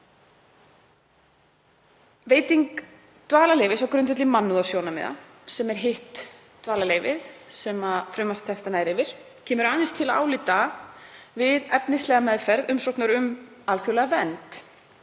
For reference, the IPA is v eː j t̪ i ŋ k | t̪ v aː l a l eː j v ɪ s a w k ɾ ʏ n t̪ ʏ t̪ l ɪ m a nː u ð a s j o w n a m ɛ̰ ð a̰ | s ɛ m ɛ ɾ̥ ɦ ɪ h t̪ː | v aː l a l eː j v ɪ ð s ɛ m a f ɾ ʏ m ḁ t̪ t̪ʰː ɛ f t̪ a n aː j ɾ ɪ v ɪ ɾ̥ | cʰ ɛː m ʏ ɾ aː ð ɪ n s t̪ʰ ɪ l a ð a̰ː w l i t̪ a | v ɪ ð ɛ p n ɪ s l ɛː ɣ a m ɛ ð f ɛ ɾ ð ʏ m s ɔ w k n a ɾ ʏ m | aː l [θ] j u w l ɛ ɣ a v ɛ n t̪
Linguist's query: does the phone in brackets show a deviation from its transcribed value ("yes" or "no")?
no